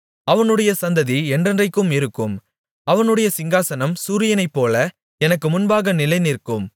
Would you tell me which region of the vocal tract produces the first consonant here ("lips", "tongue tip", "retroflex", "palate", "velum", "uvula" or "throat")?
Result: lips